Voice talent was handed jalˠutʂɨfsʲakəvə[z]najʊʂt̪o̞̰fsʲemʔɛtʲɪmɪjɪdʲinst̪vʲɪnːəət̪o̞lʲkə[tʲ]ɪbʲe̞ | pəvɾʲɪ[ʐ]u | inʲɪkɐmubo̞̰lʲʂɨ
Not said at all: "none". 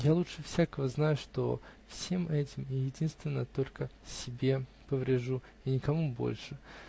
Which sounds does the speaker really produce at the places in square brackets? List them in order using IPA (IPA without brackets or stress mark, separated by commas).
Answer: z, sʲ, ʐ